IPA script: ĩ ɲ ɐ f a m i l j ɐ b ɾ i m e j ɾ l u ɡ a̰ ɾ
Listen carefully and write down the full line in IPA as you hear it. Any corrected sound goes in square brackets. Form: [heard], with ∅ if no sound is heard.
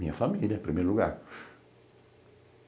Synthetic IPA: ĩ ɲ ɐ f a m i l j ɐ [p] ɾ i m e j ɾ l u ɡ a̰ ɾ